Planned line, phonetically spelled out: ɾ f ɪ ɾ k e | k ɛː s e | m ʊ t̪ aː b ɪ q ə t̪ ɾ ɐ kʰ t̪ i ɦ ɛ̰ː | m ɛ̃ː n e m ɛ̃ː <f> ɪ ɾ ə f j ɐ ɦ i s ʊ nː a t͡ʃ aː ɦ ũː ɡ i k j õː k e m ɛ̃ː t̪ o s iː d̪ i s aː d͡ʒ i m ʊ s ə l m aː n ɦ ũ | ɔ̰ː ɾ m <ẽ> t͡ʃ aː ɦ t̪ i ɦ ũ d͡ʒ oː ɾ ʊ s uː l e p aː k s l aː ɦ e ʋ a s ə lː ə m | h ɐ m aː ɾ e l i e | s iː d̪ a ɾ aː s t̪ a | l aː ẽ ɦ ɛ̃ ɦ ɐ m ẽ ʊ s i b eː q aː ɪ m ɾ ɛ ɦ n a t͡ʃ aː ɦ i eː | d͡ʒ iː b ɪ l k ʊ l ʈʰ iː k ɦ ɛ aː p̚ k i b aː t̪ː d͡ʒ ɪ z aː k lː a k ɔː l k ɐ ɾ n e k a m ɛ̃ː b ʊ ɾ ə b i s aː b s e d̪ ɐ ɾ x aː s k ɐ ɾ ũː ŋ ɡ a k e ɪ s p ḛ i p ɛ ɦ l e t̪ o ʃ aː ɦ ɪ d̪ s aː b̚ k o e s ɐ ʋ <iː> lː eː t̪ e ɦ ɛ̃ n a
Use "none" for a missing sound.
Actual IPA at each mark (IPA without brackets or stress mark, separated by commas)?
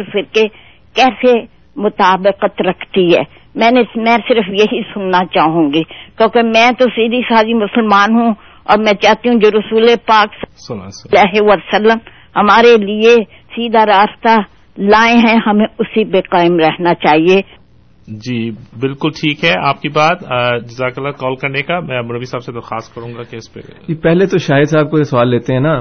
s, ɛ̃, aː